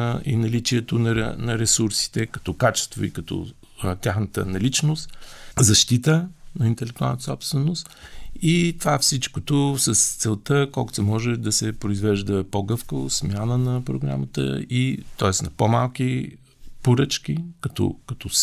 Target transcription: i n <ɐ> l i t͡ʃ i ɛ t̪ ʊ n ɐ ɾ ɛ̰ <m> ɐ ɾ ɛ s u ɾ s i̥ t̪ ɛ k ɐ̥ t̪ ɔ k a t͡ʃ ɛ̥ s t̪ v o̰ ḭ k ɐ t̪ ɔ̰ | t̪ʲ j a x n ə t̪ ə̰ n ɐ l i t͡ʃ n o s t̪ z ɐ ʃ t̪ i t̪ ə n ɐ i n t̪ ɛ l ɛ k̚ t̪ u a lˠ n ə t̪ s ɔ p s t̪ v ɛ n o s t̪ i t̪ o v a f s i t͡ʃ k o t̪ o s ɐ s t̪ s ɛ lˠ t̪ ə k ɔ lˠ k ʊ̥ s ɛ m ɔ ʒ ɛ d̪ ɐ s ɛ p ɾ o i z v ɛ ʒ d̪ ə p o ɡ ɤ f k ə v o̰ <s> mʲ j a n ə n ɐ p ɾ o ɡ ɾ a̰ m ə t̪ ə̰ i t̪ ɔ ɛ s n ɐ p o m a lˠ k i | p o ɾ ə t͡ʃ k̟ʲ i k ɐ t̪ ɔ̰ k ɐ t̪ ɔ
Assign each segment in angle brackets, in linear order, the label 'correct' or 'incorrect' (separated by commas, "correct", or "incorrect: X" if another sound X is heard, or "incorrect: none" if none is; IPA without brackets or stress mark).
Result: correct, incorrect: n, correct